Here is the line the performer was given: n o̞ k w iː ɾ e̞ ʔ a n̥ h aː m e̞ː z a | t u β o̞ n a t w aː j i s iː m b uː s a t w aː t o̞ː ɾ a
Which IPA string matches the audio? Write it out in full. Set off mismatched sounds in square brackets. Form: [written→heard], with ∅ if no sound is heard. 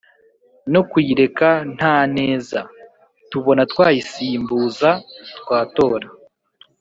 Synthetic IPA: n o̞ k w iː ɾ e̞ [ʔ→k] a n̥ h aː [m→n] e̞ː z a | t u β o̞ n a t w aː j i s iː m b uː [s→z] a t w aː t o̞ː ɾ a

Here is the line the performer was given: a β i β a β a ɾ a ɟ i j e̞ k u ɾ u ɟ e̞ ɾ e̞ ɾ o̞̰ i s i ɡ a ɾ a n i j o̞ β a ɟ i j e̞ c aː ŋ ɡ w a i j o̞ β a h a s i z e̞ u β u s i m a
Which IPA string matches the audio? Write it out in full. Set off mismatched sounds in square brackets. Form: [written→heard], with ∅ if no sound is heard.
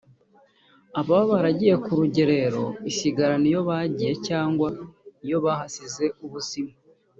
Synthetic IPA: a β [i→a] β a β a ɾ a ɟ i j e̞ k u ɾ u ɟ e̞ ɾ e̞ ɾ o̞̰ i s i ɡ a ɾ a n i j o̞ β a ɟ i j e̞ c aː ŋ ɡ w a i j o̞ β a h a s i z e̞ u β u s i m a

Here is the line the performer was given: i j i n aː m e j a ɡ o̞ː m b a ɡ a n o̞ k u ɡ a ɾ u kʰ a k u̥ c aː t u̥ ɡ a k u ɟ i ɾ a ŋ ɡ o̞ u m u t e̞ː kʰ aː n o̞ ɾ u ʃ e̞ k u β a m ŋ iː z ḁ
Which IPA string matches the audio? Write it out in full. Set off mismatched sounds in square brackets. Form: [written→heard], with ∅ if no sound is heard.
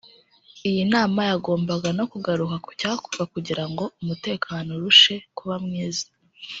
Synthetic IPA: i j i n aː m [e→a] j a ɡ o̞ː m b a ɡ a n o̞ k u ɡ a ɾ u [kʰ→k] a k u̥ c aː [t→k] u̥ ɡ a k u ɟ i ɾ a ŋ ɡ o̞ u m u t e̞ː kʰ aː n o̞ ɾ u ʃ e̞ k u β a m ŋ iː z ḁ

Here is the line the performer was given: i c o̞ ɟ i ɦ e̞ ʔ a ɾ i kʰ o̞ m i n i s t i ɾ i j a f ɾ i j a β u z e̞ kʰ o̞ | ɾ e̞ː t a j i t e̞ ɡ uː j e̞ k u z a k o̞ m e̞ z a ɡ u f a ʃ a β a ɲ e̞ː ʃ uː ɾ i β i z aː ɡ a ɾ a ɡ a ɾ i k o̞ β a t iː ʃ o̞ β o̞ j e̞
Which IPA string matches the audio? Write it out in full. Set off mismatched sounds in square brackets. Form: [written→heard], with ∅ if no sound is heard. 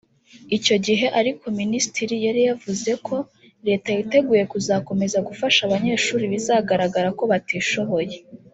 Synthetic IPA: i c o̞ ɟ i ɦ e̞ ʔ a ɾ i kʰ o̞ m i n i s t i ɾ i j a [f→∅] ɾ i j a [β→v] u z e̞ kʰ o̞ | ɾ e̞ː t a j i t e̞ ɡ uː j e̞ k u z a k o̞ m e̞ z a ɡ u f a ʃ a β a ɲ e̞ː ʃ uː ɾ i β i z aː ɡ a ɾ a ɡ a ɾ [i→a] k o̞ β a t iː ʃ o̞ β o̞ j e̞

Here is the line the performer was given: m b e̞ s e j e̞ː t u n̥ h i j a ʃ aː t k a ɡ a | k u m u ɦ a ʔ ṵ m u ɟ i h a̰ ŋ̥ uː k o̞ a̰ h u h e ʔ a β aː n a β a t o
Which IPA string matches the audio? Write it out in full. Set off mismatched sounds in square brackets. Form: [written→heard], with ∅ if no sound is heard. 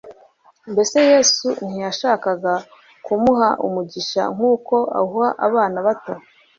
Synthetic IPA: m b e̞ s e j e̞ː [t→s] u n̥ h i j a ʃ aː [t→∅] k a ɡ a | k u m u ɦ a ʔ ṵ m u ɟ i [h→ʃ] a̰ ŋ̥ uː k o̞ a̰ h u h [e→a] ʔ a β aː n a β a t o

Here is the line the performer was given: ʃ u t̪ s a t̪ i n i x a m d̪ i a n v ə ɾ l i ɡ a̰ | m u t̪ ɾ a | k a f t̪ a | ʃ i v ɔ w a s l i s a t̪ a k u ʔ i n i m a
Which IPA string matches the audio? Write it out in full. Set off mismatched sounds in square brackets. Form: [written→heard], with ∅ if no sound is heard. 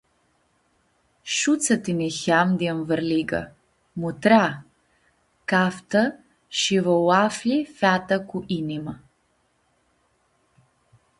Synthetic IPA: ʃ u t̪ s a t̪ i n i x a m d̪ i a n v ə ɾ l i ɡ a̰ | m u t̪ ɾ a | k a f t̪ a | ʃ i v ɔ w a [s→f] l i [s→f] a t̪ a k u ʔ i n i m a

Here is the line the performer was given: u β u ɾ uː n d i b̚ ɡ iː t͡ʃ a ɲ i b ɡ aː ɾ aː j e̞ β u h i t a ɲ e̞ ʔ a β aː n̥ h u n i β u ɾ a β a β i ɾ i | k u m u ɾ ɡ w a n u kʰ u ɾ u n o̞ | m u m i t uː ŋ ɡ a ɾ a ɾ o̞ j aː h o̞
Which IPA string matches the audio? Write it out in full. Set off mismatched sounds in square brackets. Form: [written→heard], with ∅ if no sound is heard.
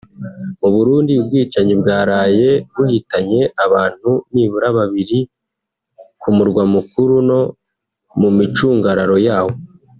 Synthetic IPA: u β u ɾ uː n d i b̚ ɡ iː t͡ʃ a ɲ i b ɡ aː ɾ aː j e̞ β u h i t a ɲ e̞ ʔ a β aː n̥ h u n i β u ɾ a β a β i ɾ i | k u m u ɾ ɡ w a [n→m] u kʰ u ɾ u n o̞ | m u m i [t→t͡ʃ] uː ŋ ɡ a ɾ a ɾ o̞ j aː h o̞

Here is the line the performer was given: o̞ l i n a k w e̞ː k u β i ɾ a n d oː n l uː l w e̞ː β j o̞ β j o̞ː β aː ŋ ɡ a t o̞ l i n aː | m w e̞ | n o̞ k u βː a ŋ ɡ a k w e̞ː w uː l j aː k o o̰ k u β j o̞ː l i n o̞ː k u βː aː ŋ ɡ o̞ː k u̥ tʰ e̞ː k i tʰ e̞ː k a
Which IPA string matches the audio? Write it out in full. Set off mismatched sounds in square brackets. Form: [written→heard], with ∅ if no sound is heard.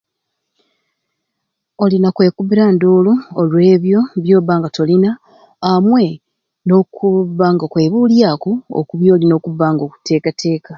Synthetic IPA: o̞ l i n a k w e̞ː k u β i ɾ a n d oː [n→∅] l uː l w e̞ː β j o̞ β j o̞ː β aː ŋ ɡ a t o̞ l i n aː | m w e̞ | n o̞ k u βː a ŋ ɡ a k w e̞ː [w→β] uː l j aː k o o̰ k u β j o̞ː l i n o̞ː k u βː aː ŋ ɡ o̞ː k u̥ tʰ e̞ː k [i→a] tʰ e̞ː k a

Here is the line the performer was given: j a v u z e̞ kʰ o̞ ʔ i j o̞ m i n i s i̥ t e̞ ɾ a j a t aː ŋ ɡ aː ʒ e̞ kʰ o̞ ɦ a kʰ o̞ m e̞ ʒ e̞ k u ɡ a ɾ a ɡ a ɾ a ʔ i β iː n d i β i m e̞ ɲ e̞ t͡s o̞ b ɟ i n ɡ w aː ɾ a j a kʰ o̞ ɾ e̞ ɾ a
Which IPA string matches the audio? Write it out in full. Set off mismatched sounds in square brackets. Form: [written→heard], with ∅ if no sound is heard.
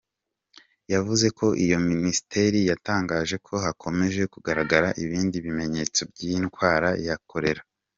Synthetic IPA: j a v u z e̞ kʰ o̞ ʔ i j o̞ m i n i s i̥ t e̞ ɾ [a→i] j a t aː ŋ ɡ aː ʒ e̞ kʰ o̞ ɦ a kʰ o̞ m e̞ ʒ e̞ k u ɡ a ɾ a ɡ a ɾ a ʔ i β iː n d i β i m e̞ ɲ e̞ t͡s o̞ b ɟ i n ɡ w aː ɾ a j a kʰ o̞ ɾ e̞ ɾ a

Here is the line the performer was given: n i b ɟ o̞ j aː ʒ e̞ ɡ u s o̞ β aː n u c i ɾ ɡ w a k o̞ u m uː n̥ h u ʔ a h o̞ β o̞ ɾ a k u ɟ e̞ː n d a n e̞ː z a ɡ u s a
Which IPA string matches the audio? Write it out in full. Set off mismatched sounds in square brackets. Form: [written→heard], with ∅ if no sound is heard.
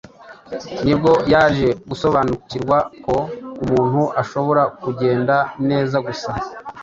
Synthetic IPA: n i b [ɟ→ɡ] o̞ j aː ʒ e̞ ɡ u s o̞ β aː n u c i ɾ ɡ w a k o̞ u m uː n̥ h u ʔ a [h→ʃ] o̞ β o̞ ɾ a k u ɟ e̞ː n d a n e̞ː z a ɡ u s a

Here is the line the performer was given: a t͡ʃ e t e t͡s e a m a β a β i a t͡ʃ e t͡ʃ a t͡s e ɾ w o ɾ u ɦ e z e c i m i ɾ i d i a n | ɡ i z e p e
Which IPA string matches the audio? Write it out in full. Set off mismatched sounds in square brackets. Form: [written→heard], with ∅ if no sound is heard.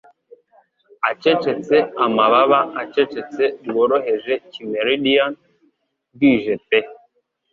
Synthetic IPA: a t͡ʃ e [t→t͡ʃ] e t͡s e a m a β a β [i→a] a t͡ʃ e t͡ʃ [a→e] t͡s e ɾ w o ɾ [u→o] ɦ e [z→ʒ] e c i m [i→e] ɾ i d i a n | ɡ i [z→ʒ] e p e

